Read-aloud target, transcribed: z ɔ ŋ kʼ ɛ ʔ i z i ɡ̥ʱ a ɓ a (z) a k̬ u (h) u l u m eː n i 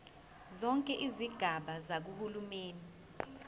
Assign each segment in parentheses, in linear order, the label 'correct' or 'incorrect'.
correct, correct

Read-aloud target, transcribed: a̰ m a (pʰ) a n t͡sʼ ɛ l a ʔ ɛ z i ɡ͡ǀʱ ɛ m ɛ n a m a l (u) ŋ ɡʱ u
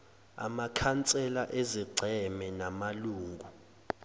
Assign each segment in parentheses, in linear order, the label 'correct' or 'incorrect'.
incorrect: kʰ, incorrect: uː

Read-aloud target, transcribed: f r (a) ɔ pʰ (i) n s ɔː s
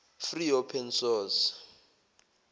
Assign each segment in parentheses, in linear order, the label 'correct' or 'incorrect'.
incorrect: i, incorrect: ɛ

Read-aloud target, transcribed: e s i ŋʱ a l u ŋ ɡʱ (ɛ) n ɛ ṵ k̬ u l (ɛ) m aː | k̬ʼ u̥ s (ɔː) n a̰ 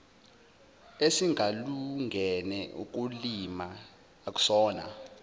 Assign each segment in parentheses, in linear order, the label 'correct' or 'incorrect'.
correct, incorrect: i, correct

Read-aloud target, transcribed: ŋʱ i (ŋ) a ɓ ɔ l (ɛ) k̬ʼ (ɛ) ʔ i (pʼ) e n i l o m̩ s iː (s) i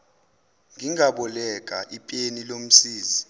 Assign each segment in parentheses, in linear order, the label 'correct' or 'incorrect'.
correct, correct, incorrect: a, correct, incorrect: z

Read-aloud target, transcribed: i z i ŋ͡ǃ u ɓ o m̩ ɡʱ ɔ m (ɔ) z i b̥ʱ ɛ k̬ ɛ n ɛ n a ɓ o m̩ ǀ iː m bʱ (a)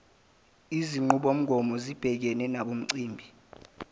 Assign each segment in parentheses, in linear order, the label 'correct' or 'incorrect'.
correct, incorrect: i

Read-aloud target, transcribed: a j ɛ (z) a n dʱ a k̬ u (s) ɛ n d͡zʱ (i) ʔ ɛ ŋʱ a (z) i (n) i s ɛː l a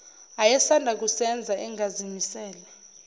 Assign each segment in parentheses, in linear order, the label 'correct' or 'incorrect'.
incorrect: s, correct, incorrect: a, correct, incorrect: m

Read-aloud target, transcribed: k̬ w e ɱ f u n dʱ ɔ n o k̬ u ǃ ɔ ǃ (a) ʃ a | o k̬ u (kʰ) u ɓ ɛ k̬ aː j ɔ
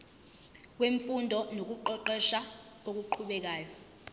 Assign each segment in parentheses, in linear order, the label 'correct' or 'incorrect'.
incorrect: ɛ, incorrect: ǃʰ

